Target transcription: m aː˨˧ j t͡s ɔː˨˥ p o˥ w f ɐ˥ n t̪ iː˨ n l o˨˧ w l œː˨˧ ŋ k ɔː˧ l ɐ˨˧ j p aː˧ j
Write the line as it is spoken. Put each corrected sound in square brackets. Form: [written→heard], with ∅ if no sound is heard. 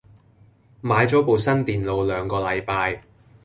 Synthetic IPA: m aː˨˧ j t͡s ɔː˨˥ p [o˥→o˨] w [f→s] ɐ˥ n t̪ iː˨ n l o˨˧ w l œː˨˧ ŋ k ɔː˧ l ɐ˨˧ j p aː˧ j